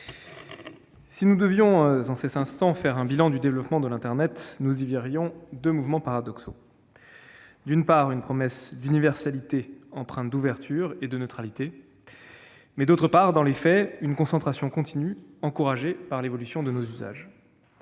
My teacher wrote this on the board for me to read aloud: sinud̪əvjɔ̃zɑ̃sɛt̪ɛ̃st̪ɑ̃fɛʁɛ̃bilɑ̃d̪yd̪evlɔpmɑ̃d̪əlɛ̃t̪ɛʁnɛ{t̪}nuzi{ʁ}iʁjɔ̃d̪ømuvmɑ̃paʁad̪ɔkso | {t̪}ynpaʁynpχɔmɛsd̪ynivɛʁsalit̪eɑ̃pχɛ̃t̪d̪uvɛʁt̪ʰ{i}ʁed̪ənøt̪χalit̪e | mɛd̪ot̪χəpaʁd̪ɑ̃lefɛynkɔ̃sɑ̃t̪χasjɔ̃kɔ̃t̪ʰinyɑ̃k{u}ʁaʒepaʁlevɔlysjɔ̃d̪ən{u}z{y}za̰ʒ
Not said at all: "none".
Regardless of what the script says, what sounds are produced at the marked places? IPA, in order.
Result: t̪, v, d̪, y, u, o, y

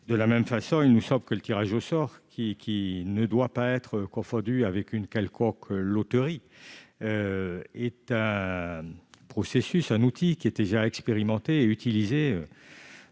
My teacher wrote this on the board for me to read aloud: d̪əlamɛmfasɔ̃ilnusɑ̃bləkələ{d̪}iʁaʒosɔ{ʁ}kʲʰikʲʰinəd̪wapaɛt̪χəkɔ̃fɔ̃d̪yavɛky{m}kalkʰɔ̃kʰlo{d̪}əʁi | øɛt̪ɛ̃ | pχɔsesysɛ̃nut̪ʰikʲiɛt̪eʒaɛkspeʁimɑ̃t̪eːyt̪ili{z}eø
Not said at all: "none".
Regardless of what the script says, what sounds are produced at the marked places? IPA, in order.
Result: t̪, ʁ, n, t̪, z

